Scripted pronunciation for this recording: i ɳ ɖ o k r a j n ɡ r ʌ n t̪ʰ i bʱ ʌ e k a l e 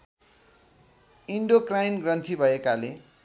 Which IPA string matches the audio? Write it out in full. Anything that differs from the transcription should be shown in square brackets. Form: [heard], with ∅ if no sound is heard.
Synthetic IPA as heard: i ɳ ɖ o k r a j n ɡ r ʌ n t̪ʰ i bʱ ʌ e k a l e

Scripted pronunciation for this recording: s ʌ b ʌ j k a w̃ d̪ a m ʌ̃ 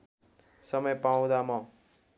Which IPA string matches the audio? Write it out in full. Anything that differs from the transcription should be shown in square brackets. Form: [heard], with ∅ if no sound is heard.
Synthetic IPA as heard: s ʌ [m] ʌ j [p] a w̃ d̪ a m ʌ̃

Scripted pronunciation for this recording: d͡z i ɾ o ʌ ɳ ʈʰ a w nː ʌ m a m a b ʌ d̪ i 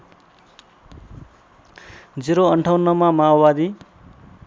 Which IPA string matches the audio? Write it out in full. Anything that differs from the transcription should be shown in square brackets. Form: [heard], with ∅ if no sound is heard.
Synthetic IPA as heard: d͡z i ɾ o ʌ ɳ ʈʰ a w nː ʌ m a m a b [a] d̪ i

